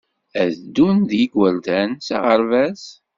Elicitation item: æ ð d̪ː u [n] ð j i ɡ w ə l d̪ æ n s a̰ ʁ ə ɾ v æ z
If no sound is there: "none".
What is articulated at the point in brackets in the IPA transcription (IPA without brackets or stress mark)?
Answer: n